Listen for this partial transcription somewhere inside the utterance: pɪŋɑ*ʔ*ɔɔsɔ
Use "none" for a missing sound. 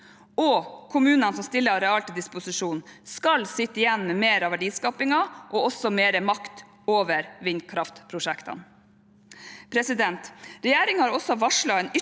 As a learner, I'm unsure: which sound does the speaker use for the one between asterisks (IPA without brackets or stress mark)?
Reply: ʔ